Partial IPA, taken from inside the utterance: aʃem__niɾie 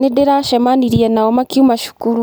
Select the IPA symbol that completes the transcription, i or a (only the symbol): a